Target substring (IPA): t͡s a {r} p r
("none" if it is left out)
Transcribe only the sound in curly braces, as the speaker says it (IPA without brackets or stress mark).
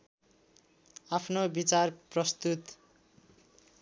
r